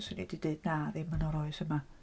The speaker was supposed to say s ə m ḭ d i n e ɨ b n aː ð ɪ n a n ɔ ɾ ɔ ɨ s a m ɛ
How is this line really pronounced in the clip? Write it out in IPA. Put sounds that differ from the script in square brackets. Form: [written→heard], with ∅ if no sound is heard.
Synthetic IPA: s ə [m→n] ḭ d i [n→d] e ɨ [b→d] n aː ð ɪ [n→m] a n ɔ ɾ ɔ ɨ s [a→ə] m [ɛ→a]